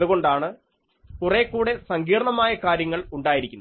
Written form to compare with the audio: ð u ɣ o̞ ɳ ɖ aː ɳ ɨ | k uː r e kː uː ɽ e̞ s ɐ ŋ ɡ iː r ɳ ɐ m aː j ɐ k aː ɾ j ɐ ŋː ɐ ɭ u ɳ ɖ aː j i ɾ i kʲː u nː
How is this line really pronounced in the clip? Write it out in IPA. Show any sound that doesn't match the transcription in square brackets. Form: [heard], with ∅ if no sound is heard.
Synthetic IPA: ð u ɣ o̞ ɳ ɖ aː ɳ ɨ | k [u] r e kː uː ɽ e̞ s ɐ ŋ ɡ iː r ɳ ɐ m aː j ɐ k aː ɾ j ɐ ŋː ɐ ɭ u ɳ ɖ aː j i ɾ i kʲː u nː